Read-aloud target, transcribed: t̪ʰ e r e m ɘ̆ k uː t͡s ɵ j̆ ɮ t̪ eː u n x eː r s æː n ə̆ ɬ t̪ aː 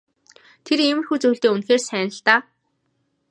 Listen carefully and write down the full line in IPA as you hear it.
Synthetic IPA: t̪ʰ e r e m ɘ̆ x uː t͡s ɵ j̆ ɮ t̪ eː u n x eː r s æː n ə̆ ɬ t̪ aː